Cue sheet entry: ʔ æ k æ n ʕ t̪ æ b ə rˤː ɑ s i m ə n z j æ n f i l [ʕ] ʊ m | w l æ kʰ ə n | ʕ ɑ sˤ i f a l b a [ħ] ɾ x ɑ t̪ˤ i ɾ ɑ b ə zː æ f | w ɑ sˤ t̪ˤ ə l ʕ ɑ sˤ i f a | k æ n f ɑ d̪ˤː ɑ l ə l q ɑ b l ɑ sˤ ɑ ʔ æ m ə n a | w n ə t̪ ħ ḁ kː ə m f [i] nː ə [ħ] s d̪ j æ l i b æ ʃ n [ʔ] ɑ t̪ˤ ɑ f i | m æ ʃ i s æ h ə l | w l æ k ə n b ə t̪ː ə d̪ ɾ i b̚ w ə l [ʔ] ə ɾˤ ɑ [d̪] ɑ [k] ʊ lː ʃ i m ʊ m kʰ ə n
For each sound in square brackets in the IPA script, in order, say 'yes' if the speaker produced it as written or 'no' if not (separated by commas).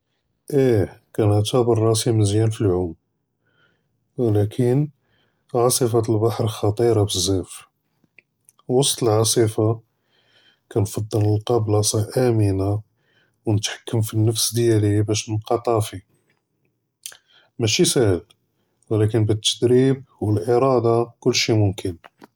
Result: yes, yes, yes, no, no, yes, yes, yes